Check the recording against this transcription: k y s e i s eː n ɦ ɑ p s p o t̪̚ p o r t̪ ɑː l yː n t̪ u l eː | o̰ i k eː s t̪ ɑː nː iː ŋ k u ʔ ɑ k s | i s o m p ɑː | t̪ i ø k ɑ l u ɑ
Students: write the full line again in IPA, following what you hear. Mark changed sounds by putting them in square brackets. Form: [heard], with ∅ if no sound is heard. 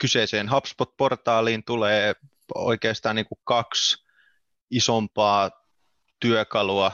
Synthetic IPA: k y s e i s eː n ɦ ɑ p s p o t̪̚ p o r t̪ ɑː l [iː] n t̪ u l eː | o̰ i k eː s t̪ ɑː [n] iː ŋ k u [k] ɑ k s | i s o m p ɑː | t̪ [y] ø k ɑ l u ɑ